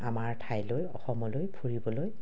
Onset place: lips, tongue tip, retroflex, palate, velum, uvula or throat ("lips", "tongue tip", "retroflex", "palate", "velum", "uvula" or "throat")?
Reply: lips